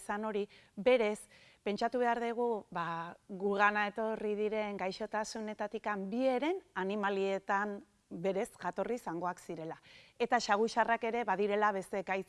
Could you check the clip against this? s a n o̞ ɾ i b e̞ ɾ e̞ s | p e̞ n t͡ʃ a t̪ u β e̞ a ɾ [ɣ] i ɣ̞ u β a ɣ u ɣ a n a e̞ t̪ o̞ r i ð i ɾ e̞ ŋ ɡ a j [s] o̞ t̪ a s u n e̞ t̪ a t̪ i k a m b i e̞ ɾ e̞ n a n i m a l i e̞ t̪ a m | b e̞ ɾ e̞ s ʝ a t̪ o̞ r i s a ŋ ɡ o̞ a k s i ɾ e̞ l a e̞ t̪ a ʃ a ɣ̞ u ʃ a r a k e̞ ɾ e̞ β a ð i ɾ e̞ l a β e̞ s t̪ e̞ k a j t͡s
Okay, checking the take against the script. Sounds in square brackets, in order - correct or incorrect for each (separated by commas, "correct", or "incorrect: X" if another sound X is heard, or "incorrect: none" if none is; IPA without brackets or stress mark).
incorrect: ð, incorrect: ʃ